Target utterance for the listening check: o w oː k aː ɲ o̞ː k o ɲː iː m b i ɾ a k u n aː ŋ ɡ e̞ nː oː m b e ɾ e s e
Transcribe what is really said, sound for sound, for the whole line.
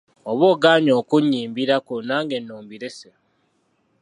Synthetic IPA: o β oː ɡ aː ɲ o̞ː k u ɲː iː m b i ɾ a k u n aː ŋ ɡ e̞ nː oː m b i ɾ e s e